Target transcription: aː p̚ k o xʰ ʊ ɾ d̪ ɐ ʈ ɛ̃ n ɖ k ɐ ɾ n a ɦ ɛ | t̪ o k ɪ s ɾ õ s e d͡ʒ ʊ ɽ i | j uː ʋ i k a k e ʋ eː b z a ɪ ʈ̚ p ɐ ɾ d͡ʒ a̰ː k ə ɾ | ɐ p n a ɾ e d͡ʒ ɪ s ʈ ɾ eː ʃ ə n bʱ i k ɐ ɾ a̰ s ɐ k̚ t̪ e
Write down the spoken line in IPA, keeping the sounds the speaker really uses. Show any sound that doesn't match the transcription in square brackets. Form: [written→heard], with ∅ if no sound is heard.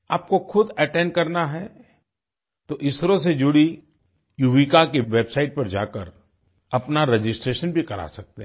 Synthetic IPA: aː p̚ k o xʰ ʊ [ɾ→∅] d̪ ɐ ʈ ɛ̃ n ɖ k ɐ ɾ n a ɦ ɛ | t̪ o [k→ʔ] ɪ s ɾ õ s e d͡ʒ ʊ ɽ i | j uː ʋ i k a k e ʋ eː b [z→s] a ɪ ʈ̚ p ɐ ɾ d͡ʒ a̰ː k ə ɾ | ɐ p n a ɾ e d͡ʒ ɪ s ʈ ɾ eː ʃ ə n bʱ i k ɐ ɾ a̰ s ɐ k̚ t̪ e